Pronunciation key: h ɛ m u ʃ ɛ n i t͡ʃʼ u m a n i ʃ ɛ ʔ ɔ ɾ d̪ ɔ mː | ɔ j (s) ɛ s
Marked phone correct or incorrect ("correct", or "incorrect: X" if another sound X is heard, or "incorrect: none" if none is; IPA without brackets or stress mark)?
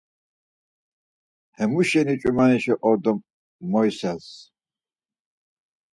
correct